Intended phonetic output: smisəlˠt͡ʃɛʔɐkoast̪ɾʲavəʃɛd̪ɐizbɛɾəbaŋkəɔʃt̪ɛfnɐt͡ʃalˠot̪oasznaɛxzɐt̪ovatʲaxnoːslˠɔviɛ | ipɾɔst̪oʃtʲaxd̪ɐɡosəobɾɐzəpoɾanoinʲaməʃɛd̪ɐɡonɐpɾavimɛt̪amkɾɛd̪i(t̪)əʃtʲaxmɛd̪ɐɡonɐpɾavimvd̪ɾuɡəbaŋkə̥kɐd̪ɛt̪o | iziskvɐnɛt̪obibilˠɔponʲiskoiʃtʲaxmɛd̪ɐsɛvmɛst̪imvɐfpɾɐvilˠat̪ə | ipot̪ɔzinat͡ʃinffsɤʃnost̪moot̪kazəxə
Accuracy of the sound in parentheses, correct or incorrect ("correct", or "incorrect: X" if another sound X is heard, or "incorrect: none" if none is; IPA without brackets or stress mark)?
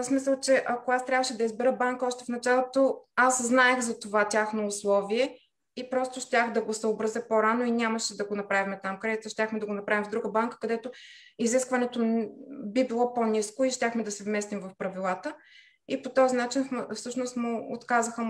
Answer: correct